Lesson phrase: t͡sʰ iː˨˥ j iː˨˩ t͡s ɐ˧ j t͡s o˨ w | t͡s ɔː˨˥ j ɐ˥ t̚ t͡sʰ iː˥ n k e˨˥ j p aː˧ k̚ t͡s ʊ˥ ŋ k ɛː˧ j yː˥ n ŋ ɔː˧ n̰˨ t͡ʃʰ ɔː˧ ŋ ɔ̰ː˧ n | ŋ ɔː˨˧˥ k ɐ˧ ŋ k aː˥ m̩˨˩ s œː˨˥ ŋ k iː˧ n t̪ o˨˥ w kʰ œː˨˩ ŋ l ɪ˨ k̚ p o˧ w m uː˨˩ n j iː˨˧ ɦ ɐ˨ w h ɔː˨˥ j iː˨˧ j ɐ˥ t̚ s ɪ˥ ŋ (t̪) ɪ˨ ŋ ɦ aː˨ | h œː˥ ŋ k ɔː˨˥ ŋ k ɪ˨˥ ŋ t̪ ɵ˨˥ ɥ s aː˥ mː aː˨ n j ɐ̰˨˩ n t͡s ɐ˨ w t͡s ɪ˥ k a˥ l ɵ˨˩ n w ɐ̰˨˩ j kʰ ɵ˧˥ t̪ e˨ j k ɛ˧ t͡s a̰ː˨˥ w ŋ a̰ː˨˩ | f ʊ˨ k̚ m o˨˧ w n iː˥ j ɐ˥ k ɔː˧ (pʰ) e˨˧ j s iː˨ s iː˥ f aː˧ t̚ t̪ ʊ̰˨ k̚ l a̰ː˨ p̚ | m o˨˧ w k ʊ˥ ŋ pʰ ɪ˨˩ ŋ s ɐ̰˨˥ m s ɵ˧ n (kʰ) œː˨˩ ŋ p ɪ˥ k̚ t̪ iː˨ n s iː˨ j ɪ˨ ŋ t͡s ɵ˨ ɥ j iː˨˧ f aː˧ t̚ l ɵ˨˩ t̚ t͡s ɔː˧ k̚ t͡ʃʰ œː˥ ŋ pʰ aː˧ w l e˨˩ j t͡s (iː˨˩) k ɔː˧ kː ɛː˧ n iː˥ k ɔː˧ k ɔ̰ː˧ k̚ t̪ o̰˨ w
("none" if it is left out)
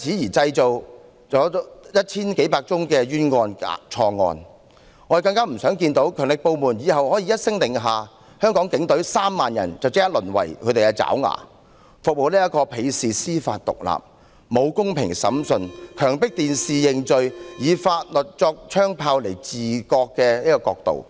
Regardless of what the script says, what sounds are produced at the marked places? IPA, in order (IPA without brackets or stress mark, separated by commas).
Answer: t̪, pʰ, kʰ, iː˨˩